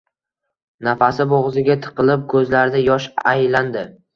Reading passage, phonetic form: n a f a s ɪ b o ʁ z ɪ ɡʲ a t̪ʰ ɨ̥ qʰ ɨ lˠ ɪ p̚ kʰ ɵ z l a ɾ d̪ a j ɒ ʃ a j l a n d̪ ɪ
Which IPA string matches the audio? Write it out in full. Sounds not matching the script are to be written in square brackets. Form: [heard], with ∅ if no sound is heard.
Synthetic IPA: n a f a s ɪ b o ʁ z ɪ ɡʲ a t̪ʰ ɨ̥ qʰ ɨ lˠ ɪ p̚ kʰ ɵ z l a ɾ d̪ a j ɒ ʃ a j l a n d̪ ɪ

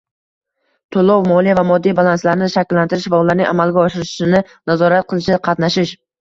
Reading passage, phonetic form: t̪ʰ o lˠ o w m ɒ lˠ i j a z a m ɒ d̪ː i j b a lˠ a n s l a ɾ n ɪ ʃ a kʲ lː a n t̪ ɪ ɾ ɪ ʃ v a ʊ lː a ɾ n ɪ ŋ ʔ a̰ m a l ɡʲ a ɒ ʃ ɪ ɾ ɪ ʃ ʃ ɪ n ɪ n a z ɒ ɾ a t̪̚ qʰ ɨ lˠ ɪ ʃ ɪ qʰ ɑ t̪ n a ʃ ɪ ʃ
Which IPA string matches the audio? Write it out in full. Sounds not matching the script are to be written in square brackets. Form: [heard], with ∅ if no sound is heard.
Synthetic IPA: t̪ʰ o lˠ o w m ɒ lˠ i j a [v] a m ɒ d̪ː i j b a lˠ a n s l a ɾ n ɪ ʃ a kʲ lː a n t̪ ɪ ɾ ɪ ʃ v a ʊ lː a ɾ n ɪ ŋ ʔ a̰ m a l ɡʲ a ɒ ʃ ɪ ɾ ɪ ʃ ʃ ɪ n ɪ n a z ɒ ɾ a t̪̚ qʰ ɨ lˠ ɪ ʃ ɪ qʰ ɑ t̪ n a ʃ ɪ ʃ

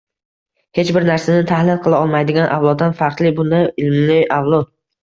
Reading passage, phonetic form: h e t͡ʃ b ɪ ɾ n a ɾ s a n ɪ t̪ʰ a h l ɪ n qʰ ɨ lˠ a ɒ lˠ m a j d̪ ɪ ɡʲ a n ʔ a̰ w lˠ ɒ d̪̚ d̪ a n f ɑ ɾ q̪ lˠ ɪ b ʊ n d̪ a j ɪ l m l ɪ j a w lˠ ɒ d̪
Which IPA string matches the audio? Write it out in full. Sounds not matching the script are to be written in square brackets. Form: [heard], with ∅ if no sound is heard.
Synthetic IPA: h e t͡ʃ b ɪ ɾ n a ɾ s a n ɪ t̪ʰ a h l ɪ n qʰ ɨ lˠ a ɒ lˠ m a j d̪ ɪ ɡʲ a n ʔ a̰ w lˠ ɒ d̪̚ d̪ a n f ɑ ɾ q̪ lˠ ɪ b ʊ n d̪ a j ɪ l m l ɪ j a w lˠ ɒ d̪

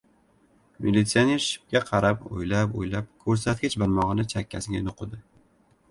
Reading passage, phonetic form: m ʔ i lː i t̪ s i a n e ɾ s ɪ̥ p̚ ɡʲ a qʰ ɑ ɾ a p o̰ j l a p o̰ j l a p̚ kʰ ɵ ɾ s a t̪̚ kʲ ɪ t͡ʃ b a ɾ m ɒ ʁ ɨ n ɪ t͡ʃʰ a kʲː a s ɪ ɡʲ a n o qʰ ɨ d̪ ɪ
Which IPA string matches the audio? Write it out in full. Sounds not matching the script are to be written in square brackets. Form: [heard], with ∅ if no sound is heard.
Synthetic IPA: m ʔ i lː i t̪ s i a n e ɾ [ʃ] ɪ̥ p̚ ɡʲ a qʰ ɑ ɾ a p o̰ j l a p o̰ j l a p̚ kʰ ɵ ɾ s a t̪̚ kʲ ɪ t͡ʃ b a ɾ m ɒ ʁ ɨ n ɪ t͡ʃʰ a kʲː a s ɪ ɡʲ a n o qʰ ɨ d̪ ɪ

